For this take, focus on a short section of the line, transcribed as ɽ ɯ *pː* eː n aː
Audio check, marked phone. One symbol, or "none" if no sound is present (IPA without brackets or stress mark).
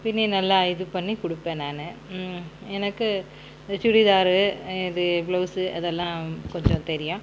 pː